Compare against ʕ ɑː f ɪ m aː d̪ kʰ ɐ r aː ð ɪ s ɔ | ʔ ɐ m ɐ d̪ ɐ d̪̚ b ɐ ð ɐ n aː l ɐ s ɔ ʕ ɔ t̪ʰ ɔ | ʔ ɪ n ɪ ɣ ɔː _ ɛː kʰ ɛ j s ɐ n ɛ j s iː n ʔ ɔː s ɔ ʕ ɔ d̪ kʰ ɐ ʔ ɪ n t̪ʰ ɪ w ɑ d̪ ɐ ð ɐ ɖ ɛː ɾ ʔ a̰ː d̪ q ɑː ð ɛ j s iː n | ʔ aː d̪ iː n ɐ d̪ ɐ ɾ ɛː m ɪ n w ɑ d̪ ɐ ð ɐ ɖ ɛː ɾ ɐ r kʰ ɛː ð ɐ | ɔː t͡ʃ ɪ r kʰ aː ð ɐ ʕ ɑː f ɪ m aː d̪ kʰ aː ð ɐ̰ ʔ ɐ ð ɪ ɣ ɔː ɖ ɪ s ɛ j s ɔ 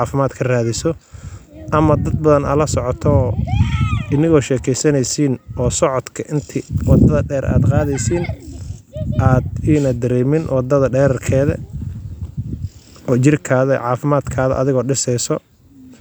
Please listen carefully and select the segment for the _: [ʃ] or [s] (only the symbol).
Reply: ʃ